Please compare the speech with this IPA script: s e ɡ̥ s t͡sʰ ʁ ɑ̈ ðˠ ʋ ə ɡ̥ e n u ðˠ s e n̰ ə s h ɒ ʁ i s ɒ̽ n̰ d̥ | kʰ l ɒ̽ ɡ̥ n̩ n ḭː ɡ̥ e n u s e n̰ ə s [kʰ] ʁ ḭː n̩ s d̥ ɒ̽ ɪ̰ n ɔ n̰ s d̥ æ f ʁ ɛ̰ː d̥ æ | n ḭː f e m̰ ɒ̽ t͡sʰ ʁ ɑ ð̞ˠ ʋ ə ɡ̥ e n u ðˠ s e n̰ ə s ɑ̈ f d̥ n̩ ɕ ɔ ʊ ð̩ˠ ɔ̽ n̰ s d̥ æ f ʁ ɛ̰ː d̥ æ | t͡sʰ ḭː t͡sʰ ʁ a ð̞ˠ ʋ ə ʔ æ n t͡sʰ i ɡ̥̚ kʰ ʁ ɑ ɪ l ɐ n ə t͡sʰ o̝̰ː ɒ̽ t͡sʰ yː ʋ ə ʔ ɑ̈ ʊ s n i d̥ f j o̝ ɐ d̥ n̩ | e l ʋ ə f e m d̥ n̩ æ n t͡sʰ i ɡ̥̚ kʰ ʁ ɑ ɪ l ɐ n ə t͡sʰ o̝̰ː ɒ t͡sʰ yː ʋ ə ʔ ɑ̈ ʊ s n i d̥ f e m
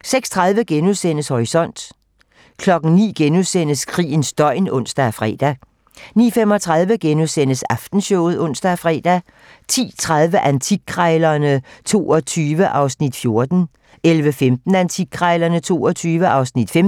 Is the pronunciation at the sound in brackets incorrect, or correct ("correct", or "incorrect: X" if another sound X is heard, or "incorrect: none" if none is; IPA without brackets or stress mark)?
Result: correct